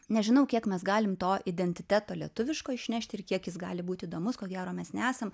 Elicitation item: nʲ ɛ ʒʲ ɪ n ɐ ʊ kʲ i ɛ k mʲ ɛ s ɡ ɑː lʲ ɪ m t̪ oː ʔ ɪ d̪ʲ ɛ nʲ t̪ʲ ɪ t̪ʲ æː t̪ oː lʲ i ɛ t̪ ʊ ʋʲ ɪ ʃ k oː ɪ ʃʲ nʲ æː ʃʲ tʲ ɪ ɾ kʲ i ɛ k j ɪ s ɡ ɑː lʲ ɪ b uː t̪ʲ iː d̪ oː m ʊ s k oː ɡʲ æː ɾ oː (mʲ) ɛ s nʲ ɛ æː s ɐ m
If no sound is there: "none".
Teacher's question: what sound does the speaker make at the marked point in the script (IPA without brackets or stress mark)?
mʲ